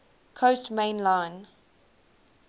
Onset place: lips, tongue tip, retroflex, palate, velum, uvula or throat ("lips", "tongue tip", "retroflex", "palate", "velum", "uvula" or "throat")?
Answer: velum